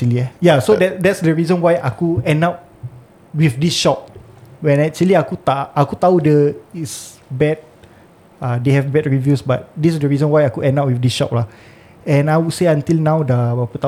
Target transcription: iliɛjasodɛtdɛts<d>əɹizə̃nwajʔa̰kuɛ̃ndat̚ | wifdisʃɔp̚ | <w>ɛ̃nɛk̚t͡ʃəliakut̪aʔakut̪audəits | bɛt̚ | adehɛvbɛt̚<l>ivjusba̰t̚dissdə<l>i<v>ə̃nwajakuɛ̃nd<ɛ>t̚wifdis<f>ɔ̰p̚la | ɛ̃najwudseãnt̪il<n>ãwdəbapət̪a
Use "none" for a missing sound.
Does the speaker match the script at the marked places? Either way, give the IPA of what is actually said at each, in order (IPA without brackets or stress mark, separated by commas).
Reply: d, w, ɹ, ɹ, z, a, ʃ, n